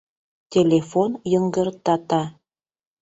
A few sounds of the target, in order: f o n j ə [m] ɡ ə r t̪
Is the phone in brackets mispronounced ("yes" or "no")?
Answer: yes